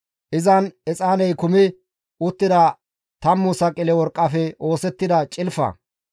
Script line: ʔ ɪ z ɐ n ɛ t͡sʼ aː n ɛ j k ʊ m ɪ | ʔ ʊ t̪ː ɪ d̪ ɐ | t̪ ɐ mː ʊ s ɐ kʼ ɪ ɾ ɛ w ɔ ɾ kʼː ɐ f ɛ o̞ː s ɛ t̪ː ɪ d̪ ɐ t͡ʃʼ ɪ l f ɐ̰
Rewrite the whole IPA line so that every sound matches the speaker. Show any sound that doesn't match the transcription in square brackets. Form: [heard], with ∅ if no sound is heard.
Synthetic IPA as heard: ʔ ɪ z ɐ n ɛ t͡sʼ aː n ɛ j k ʊ m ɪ | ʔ ʊ t̪ː ɪ d̪ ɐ | t̪ ɐ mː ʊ s ɐ kʼ ɪ [l] ɛ w ɔ ɾ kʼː ɐ f ɛ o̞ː s ɛ t̪ː ɪ d̪ ɐ t͡ʃʼ ɪ l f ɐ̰